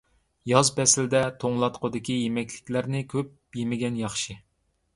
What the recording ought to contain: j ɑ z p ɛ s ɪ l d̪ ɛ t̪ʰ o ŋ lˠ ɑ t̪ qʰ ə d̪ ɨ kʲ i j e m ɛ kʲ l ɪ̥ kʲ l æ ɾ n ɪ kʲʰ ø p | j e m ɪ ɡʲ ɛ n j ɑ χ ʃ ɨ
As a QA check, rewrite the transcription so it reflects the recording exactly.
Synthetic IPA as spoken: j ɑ z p ɛ s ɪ l d̪ ɛ t̪ʰ o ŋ lˠ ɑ t̪ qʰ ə d̪ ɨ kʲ i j e m ɛ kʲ l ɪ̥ kʲ l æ ɾ n ɪ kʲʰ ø p | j e m ɪ ɡʲ ɛ n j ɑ χ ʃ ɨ